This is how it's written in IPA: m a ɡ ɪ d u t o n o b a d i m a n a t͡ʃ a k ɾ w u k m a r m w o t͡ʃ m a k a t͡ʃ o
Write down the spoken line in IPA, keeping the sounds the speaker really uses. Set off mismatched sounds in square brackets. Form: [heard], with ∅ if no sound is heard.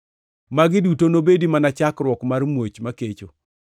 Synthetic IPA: m a ɡ ɪ d u t o n o b [e] d i m a n a t͡ʃ a k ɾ w [ɔ] k m a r m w o t͡ʃ m a k [e] t͡ʃ o